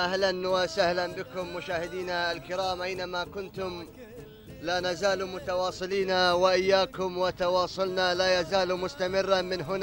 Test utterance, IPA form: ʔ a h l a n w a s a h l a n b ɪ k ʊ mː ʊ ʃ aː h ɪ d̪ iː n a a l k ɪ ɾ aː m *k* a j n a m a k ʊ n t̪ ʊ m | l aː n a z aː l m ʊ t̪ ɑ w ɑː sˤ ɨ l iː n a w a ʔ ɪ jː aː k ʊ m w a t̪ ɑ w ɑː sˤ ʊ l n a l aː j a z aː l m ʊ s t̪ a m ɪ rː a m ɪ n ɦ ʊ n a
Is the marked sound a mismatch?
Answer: yes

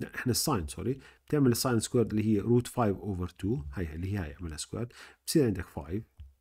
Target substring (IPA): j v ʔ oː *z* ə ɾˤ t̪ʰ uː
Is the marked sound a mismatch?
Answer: yes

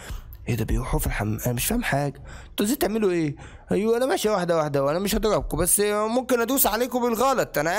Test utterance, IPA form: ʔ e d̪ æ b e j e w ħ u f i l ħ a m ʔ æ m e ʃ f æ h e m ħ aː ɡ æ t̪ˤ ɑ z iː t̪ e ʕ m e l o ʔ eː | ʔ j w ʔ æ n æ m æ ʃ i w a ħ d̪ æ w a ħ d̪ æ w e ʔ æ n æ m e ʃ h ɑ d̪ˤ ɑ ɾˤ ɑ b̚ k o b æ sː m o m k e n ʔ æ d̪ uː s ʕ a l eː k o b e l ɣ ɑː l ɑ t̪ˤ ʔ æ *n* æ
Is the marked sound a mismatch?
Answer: no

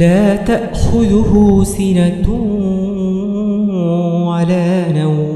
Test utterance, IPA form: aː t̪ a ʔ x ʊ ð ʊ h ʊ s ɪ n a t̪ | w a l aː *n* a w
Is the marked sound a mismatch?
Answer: no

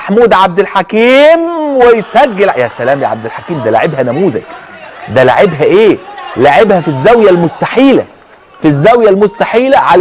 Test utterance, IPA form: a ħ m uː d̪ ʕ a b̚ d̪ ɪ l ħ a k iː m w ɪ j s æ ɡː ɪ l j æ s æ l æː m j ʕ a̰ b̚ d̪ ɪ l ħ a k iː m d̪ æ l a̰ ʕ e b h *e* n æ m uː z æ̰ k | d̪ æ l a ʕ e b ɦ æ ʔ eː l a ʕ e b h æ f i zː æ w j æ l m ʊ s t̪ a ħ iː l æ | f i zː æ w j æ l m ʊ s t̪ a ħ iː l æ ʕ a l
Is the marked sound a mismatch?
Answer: yes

